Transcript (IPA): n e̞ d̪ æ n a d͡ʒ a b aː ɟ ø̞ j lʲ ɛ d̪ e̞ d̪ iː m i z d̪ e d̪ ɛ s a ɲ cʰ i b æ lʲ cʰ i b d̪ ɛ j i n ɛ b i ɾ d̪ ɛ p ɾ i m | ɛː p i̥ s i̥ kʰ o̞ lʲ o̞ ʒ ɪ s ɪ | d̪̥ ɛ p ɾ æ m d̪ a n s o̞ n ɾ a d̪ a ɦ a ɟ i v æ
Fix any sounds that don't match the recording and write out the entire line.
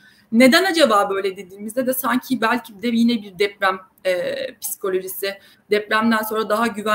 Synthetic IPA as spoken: n e̞ d̪ æ n a d͡ʒ a b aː b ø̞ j lʲ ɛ d̪ e̞ d̪ iː m i z d̪ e d̪ ɛ s a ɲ cʰ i b æ lʲ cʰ i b d̪ ɛ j i n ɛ b i ɾ d̪ ɛ p ɾ æ m | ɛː p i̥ s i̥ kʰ o̞ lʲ o̞ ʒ i s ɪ | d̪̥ ɛ p ɾ æ m d̪ æ n s o̞ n ɾ a d̪ a ɦ a ɟ y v æ